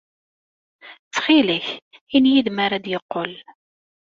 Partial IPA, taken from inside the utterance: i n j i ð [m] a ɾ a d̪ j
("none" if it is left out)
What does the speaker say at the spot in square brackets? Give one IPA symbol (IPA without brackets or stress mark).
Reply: m